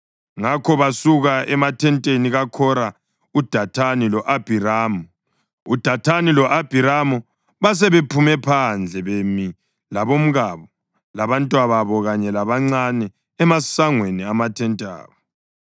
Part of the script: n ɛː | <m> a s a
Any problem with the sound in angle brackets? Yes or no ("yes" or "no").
no